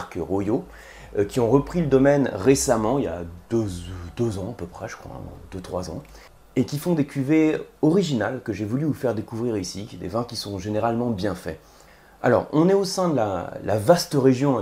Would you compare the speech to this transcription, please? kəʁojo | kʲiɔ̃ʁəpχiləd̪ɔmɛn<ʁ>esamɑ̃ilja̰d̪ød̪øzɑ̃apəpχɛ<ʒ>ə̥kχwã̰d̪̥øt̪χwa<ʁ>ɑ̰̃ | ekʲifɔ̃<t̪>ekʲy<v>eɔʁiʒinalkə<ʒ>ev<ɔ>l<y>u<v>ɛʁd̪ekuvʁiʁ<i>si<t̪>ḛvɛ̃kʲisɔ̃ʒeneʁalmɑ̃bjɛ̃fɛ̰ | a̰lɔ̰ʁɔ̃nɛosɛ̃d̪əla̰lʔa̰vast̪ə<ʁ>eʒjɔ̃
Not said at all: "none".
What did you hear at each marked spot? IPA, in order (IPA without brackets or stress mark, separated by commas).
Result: ʁ, ʒ, z, d̪, v, ʒ, u, y, f, i, d̪, ʁ